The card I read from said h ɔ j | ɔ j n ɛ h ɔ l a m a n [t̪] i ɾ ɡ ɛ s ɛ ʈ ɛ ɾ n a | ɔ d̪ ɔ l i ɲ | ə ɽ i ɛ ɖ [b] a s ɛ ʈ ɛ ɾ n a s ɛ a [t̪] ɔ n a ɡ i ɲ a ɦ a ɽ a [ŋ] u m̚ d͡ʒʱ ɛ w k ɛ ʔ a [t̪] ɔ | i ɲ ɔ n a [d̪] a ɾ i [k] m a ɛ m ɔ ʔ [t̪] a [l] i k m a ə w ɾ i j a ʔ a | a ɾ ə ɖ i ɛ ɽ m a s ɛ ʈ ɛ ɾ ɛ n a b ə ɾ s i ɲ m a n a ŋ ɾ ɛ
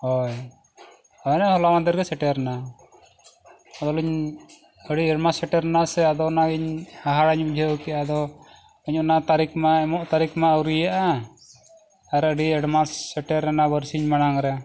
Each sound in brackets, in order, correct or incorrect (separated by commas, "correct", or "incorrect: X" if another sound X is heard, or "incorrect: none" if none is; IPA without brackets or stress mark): incorrect: d̪, incorrect: m, incorrect: d̪, incorrect: ɲ, incorrect: d̪, incorrect: t̪, correct, correct, incorrect: ɾ